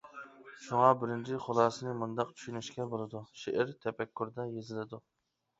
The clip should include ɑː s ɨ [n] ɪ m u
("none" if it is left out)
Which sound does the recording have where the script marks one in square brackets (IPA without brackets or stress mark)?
n